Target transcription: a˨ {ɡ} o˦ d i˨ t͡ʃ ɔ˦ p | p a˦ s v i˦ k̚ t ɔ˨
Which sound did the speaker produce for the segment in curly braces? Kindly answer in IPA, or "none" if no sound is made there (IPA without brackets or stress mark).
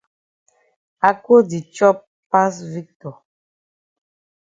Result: k